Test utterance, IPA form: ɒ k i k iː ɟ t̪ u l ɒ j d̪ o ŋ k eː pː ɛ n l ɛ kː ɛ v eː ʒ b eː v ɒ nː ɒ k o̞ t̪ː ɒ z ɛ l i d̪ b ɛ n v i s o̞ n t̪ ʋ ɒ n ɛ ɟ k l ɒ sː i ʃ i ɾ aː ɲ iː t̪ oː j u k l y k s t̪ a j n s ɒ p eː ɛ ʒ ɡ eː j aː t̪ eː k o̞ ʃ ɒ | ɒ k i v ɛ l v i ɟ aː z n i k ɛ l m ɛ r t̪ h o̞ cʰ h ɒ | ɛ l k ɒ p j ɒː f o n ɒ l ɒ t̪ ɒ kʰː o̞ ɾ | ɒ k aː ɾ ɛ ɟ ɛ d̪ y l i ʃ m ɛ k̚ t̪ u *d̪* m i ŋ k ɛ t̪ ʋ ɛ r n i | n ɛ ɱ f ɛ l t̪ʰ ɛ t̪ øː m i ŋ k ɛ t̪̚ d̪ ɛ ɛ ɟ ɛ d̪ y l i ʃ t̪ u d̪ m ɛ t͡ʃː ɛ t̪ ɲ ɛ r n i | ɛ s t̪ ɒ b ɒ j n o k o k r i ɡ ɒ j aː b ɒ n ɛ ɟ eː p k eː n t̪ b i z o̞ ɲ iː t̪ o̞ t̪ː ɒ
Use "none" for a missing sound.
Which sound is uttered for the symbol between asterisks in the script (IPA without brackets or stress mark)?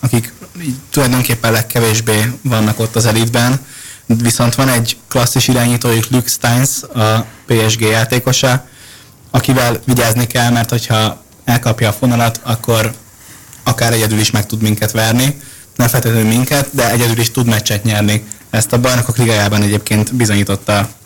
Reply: d̪